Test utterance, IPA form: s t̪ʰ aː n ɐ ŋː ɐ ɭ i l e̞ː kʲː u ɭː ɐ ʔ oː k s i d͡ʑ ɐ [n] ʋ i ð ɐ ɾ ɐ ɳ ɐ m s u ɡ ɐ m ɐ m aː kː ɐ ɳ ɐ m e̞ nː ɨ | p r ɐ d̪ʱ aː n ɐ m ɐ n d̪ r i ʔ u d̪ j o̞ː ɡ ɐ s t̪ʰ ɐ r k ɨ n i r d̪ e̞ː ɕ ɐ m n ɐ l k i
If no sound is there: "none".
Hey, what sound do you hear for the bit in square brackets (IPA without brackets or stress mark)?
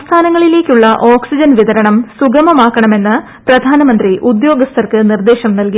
n